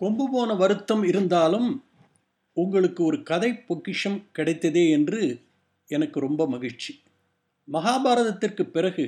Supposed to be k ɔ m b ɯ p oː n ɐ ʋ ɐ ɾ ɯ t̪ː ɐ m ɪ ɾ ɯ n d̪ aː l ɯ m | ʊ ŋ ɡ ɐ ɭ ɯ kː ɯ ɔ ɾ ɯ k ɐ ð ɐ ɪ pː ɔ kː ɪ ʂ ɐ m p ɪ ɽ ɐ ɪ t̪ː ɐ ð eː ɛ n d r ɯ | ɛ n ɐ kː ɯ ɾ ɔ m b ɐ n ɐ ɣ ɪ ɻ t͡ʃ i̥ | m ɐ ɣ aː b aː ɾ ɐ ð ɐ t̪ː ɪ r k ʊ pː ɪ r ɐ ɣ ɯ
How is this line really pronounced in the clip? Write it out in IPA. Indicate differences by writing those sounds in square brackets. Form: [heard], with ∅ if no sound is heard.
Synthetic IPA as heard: k ɔ m b ɯ p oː n ɐ ʋ ɐ ɾ ɯ t̪ː ɐ m ɪ ɾ ɯ n d̪ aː l ɯ m | ʊ ŋ ɡ ɐ ɭ ɯ kː ɯ ɔ ɾ ɯ k ɐ ð ɐ ɪ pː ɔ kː ɪ ʂ ɐ m [k] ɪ ɽ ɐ ɪ t̪ː ɐ ð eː ɛ n d r ɯ | ɛ n ɐ kː ɯ ɾ ɔ m b ɐ [m] ɐ ɣ ɪ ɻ t͡ʃ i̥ | m ɐ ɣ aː b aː ɾ ɐ ð ɐ t̪ː ɪ r k [ɯ] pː ɪ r ɐ ɣ ɯ